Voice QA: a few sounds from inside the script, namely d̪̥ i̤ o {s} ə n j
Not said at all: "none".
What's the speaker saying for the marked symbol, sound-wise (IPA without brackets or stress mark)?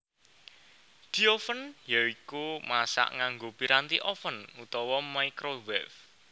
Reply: f